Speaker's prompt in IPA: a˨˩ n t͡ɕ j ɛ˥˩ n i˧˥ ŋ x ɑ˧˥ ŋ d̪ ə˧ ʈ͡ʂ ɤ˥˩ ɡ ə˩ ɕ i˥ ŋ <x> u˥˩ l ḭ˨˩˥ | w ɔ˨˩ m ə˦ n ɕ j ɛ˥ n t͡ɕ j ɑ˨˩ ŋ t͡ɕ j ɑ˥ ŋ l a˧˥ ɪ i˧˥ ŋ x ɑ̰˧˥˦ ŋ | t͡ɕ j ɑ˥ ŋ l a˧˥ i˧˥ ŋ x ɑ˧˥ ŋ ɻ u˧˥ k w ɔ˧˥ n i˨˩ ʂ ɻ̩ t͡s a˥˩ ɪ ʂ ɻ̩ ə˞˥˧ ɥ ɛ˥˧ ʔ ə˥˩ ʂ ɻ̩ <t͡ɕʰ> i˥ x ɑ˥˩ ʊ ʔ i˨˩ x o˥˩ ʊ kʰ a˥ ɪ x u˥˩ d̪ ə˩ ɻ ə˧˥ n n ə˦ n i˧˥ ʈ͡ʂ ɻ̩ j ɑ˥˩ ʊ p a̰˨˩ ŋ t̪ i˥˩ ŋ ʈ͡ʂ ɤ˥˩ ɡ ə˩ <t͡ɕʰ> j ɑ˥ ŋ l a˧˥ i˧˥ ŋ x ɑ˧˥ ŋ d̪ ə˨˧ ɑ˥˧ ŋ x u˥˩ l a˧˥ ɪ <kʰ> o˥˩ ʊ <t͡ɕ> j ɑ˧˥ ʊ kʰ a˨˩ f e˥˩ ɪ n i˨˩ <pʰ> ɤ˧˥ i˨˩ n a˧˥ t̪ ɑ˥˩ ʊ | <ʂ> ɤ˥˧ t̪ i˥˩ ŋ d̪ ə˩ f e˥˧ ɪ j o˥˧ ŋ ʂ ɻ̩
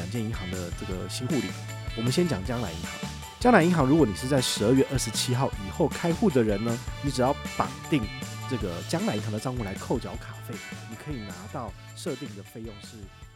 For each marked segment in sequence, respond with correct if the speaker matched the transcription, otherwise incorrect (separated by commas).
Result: correct, correct, incorrect, correct, correct, incorrect, correct